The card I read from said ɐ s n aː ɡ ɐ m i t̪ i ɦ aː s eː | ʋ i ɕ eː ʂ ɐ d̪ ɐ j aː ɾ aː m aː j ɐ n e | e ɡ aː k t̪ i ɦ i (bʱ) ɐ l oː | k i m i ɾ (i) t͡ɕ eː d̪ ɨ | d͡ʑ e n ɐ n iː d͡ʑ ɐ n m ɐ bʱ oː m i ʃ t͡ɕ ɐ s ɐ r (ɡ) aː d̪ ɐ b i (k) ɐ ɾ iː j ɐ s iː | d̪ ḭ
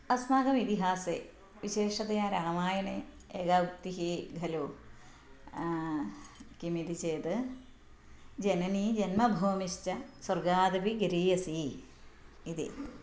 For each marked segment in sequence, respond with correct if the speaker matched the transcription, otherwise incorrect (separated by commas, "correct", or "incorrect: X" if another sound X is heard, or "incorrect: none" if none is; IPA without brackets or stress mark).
incorrect: ɡʱ, correct, correct, incorrect: ɡ